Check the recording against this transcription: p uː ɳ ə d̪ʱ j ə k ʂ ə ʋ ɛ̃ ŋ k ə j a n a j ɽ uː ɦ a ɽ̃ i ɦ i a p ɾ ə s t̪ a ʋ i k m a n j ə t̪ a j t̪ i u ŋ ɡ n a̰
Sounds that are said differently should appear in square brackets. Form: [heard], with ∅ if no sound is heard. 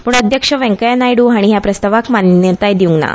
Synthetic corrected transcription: p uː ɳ ə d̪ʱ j ə k ʂ ə ʋ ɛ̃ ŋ k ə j a n a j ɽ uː ɦ a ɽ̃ i ɦ [j] a p ɾ ə s t̪ a ʋ [a] k m a n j ə t̪ a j [d̪] i u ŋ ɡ n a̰